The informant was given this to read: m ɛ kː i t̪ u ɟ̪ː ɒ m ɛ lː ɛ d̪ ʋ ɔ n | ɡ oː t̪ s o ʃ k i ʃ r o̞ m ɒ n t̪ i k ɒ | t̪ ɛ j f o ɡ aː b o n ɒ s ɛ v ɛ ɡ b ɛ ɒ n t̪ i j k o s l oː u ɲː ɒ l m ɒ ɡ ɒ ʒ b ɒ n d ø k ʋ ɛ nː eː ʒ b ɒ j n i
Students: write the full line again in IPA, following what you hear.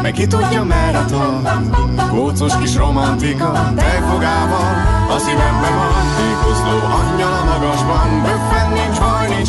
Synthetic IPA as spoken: m ɛ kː i t̪ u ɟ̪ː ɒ m ɛ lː ɛ t̪ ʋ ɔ n | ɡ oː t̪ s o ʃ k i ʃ r o̞ m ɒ n t̪ i k ɒ | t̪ ɛ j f o ɡ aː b ɒ n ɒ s i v ɛ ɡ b ɛ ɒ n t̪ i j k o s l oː ɒ ɲː ɒ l m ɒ ɡ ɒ ʒ b ɒ n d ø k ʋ ɛ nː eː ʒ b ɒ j n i